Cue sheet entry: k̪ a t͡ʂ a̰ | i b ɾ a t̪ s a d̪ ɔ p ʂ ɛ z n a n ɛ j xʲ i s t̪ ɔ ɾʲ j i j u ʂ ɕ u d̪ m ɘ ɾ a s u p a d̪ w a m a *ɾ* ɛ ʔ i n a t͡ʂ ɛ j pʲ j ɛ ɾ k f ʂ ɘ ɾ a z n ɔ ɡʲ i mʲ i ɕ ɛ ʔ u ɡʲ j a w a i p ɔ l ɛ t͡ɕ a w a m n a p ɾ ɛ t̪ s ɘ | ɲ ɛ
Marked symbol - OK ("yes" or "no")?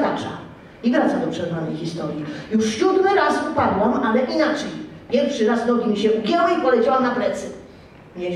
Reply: no